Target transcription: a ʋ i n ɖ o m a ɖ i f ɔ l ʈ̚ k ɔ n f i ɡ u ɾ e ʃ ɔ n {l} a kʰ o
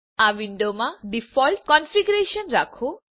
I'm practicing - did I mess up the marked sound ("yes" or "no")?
yes